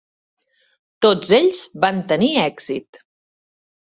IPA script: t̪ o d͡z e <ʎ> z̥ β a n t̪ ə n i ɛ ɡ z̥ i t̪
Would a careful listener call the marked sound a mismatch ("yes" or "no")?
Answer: no